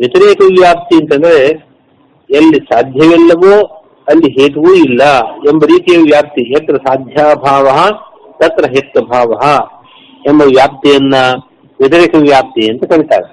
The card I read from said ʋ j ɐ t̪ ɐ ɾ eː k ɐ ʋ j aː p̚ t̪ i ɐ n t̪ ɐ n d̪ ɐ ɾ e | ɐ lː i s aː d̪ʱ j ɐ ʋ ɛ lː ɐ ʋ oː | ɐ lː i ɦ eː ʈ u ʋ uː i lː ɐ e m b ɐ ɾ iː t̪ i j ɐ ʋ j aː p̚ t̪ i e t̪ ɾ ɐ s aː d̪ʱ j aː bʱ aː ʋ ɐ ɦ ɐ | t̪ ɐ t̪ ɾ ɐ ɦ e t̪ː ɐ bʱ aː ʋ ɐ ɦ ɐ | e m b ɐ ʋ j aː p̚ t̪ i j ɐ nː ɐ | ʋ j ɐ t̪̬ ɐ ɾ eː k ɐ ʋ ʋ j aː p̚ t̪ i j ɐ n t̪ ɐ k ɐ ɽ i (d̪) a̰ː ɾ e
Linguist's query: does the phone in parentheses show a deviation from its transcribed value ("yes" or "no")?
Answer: yes